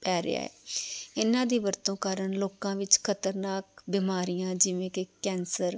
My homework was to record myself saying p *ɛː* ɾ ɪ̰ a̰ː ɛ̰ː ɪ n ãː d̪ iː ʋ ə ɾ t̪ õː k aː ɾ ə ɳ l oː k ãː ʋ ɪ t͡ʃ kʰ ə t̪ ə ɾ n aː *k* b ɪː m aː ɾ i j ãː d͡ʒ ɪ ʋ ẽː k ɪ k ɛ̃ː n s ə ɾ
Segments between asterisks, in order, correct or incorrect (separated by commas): correct, correct